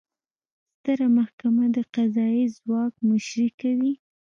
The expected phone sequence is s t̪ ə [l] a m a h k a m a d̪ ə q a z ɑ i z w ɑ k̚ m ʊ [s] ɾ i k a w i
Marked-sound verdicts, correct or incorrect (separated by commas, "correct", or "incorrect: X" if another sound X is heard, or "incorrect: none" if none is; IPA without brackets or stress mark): incorrect: ɾ, incorrect: ʃ